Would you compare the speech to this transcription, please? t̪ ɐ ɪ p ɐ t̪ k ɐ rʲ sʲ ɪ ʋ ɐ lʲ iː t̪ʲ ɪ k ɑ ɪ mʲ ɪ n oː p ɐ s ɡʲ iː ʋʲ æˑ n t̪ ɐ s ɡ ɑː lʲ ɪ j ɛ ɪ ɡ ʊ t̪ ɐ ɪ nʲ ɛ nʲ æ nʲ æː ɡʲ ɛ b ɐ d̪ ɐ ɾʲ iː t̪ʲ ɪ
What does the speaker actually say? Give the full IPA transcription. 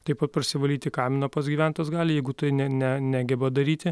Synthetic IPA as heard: t̪ ɐ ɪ p ɐ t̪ p ɐ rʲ sʲ ɪ ʋ ɐ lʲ iː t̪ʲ ɪ k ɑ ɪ mʲ ɪ n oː p ɐ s ɡʲ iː ʋʲ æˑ n t̪ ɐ s ɡ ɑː lʲ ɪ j ɛ ɪ ɡ ʊ t̪ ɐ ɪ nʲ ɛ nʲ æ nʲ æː ɡʲ ɛ b ɐ d̪ ɐ ɾʲ iː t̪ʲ ɪ